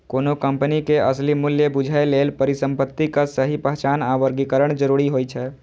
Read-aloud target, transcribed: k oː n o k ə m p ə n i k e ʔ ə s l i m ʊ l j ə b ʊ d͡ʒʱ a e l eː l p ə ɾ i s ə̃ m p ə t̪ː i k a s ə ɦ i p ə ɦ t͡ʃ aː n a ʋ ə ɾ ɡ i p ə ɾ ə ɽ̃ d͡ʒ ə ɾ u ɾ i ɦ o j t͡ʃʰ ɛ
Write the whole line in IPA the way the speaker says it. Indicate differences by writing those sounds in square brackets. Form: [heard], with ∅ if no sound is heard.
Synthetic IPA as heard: k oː n o k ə m p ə n i k e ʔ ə s l i m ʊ l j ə b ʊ d͡ʒʱ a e l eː l p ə ɾ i s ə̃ m p ə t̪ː i k a s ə ɦ i p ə ɦ t͡ʃ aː n a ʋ ə ɾ ɡ i [k] ə ɾ ə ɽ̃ d͡ʒ ə ɾ u ɾ i ɦ o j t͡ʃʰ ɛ